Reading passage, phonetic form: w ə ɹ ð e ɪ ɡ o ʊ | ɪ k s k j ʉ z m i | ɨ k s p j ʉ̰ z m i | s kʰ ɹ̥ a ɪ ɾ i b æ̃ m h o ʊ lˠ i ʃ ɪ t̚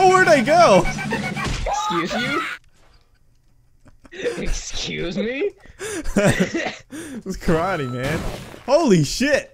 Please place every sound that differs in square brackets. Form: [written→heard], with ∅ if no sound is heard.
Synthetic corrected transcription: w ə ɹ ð e ɪ ɡ o ʊ | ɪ k s k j ʉ z m i | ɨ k s [p→k] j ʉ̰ z m i | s kʰ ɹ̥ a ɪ ɾ i [b→m] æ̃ [m→n] h o ʊ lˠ i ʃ ɪ t̚

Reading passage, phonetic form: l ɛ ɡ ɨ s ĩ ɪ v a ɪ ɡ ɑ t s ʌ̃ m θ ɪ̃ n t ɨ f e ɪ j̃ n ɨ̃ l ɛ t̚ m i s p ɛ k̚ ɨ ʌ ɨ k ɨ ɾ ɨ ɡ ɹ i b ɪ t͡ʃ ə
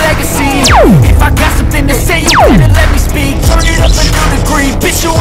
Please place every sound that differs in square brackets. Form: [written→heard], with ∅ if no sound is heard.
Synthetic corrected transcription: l ɛ ɡ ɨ s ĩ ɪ [v→f] a ɪ ɡ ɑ t s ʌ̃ m θ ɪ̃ [n→ŋ] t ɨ [f→s] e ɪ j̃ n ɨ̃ l ɛ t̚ m i s p [ɛ→i] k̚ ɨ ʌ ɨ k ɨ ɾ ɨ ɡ ɹ i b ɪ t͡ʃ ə

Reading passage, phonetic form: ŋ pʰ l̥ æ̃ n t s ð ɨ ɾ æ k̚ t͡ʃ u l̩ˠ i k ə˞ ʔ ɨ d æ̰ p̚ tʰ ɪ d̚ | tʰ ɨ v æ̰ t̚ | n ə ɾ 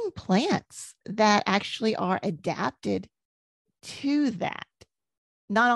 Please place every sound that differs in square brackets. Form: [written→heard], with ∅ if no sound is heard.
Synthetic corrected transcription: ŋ pʰ l̥ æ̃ n t s ð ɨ ɾ æ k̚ t͡ʃ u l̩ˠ i [k→ʔ] ə˞ ʔ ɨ d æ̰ p̚ [tʰ→t] ɪ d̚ | tʰ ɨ [v→ð] æ̰ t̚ | n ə ɾ

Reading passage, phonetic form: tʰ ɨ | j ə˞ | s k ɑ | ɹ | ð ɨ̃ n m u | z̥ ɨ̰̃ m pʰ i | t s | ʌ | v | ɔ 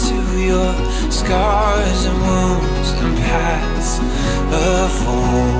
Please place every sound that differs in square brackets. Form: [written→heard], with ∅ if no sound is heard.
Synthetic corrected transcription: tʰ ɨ | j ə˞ | s k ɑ | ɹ | [ð→z] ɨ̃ n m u | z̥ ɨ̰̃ [m→n] pʰ [i→æ] | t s | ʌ | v | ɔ

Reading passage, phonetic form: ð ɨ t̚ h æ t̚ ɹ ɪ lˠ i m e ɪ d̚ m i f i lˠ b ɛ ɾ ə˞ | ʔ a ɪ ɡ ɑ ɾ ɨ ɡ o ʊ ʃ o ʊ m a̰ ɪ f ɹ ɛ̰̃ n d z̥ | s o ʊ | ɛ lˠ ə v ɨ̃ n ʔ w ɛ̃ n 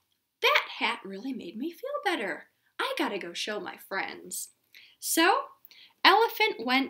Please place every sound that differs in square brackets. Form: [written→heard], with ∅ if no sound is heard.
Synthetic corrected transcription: ð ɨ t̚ h æ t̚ ɹ ɪ lˠ i m e ɪ d̚ m i f i lˠ b ɛ ɾ ə˞ | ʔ a ɪ ɡ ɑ ɾ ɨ ɡ o ʊ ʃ o ʊ m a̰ ɪ f ɹ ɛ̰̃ n d z̥ | s o ʊ | ɛ lˠ ə [v→f] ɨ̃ n ʔ w ɛ̃ n

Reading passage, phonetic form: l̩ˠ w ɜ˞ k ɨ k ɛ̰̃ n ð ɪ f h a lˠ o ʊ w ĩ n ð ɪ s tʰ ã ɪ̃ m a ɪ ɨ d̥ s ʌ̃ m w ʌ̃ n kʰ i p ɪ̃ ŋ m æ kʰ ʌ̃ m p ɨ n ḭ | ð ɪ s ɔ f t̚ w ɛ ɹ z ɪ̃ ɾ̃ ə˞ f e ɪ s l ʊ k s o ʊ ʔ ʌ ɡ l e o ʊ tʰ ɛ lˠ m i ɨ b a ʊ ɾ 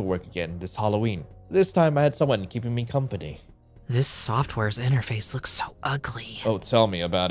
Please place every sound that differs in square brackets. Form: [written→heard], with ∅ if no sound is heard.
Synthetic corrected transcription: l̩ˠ w ɜ˞ k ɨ [k→ɡ] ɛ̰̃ n ð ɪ [f→s] h [a→ɑ] lˠ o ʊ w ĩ n ð ɪ s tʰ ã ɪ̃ m a ɪ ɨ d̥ s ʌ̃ m w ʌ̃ n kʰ i p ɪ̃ ŋ m [æ→i] kʰ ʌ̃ m p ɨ n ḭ | ð ɪ s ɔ f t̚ w ɛ ɹ z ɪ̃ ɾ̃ ə˞ f e ɪ s l ʊ k s o ʊ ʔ ʌ ɡ l [e→i] o ʊ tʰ ɛ lˠ m i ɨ b a ʊ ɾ

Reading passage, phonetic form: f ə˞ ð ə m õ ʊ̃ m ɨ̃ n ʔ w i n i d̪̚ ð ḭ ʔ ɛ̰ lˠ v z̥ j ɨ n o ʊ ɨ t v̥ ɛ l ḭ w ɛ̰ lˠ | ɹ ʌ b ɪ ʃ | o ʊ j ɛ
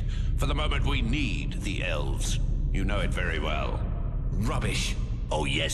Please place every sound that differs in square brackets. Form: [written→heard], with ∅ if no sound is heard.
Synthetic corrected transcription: f ə˞ ð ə m õ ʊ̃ m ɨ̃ n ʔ w i n i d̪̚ ð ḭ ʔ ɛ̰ lˠ v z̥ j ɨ n o ʊ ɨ t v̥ ɛ [l→ɹ] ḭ w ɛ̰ lˠ | ɹ ʌ b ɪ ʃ | o ʊ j ɛ

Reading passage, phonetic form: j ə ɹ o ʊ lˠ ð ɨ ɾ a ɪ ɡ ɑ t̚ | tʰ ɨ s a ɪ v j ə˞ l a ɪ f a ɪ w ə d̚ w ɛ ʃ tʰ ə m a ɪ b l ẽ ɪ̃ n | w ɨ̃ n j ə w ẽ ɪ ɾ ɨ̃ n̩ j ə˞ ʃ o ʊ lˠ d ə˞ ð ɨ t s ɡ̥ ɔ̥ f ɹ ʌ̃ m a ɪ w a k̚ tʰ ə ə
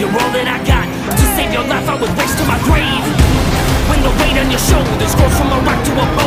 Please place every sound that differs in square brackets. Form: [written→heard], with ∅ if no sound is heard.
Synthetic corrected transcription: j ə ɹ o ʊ lˠ ð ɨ ɾ a ɪ ɡ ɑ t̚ | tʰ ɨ s [a→e] ɪ v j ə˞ l a ɪ f a ɪ w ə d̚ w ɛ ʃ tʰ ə m a ɪ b [l→ɹ] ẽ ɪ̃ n | w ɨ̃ n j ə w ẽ ɪ ɾ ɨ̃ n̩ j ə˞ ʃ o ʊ lˠ d ə˞ ð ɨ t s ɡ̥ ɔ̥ f ɹ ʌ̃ m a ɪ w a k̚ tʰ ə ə

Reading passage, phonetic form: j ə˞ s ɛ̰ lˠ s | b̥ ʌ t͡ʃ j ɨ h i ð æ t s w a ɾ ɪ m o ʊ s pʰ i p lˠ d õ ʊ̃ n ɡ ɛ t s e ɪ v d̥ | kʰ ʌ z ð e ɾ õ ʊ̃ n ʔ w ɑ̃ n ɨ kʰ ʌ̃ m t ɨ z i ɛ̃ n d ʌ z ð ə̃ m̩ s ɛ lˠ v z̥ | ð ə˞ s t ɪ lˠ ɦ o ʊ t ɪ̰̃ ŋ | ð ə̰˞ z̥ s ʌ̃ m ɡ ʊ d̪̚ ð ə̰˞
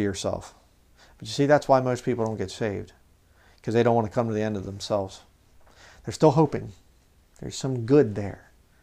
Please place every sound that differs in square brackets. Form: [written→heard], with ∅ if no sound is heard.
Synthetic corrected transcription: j ə˞ s ɛ̰ lˠ [s→f] | b̥ ʌ t͡ʃ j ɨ [h→s] i ð æ t s w a [ɾ→∅] ɪ m o ʊ s pʰ i p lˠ d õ ʊ̃ n ɡ ɛ t s e ɪ v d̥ | kʰ ʌ z ð e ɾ õ ʊ̃ n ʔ w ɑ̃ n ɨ kʰ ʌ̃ m t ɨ [z→ð] i ɛ̃ n d ʌ [z→v] ð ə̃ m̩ s ɛ lˠ v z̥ | ð ə˞ s t ɪ lˠ ɦ o ʊ [t→p] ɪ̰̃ ŋ | ð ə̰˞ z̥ s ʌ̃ m ɡ ʊ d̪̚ ð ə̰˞

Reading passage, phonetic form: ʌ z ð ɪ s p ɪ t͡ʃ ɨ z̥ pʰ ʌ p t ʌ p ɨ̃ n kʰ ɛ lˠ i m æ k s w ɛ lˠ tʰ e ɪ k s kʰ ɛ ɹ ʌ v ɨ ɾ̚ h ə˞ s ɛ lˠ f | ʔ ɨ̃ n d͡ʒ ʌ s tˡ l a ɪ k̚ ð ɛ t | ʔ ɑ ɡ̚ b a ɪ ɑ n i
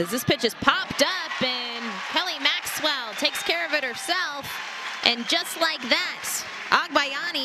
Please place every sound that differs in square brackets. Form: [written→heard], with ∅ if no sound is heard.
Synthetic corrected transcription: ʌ z ð ɪ s p ɪ t͡ʃ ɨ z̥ pʰ [ʌ→ɑ] p t ʌ p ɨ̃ n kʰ ɛ lˠ i m æ k s w ɛ lˠ tʰ e ɪ k s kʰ ɛ ɹ ʌ v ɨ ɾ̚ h ə˞ s ɛ lˠ f | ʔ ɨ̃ n d͡ʒ ʌ s tˡ l a ɪ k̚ ð [ɛ→æ] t | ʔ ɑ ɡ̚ b a ɪ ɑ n i

